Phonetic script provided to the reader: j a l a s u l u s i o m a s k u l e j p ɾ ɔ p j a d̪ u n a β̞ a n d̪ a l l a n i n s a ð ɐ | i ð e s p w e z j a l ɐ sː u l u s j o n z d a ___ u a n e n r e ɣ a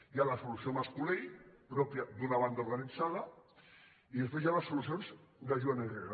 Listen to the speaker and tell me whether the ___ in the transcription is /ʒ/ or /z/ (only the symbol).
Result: ʒ